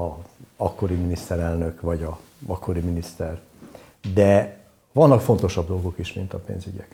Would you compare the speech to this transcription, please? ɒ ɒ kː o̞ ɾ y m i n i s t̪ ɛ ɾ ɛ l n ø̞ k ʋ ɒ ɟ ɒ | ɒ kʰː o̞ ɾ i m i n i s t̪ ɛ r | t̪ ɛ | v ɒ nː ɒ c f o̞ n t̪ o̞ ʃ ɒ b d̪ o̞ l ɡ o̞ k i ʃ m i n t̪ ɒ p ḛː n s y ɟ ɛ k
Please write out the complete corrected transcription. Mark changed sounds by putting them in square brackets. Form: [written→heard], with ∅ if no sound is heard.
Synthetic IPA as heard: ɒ ɒ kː o̞ ɾ [y→i] m i n i s t̪ ɛ ɾ ɛ l n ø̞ k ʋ ɒ ɟ ɒ | ɒ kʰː o̞ ɾ i m i n i s t̪ ɛ r | [t̪→d̪] ɛ | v ɒ nː ɒ [c→k] f o̞ n t̪ o̞ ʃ ɒ b d̪ o̞ l ɡ o̞ k i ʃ m i n t̪ ɒ p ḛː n [s→z] y ɟ ɛ k